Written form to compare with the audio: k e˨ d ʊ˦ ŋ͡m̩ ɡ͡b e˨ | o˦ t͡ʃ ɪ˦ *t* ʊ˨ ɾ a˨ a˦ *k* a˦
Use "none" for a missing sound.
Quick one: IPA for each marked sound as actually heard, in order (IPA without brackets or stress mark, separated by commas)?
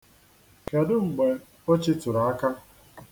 t, k